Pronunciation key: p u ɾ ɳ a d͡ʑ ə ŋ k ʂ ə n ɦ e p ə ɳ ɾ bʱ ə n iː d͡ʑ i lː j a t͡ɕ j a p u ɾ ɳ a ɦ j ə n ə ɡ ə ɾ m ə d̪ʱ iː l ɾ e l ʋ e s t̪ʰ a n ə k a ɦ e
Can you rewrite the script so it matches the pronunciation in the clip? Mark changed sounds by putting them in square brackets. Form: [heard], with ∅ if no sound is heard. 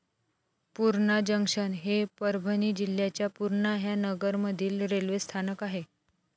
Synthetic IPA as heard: p u ɾ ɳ a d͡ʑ ə ŋ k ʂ ə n ɦ e p ə [∅] ɾ bʱ ə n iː d͡ʑ i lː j a t͡ɕ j a p u ɾ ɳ a ɦ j [a] n ə ɡ ə ɾ m ə d̪ʱ iː l ɾ e l ʋ e s t̪ʰ a n ə k a ɦ e